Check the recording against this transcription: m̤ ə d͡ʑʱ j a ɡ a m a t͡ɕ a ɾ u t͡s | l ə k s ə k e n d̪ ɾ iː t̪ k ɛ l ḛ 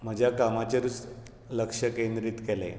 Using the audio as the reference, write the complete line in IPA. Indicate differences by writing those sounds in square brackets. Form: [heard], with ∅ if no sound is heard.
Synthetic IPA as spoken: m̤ ə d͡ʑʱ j a [k] a m a t͡ɕ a ɾ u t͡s | l ə k [ʂ] ə k e n d̪ ɾ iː t̪ k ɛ l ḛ